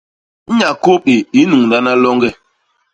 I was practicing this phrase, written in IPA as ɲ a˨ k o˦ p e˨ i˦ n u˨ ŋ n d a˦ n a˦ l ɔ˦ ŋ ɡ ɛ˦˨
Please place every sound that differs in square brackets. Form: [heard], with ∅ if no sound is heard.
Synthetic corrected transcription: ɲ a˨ k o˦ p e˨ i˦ n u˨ ŋ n d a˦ n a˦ l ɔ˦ ŋ ɡ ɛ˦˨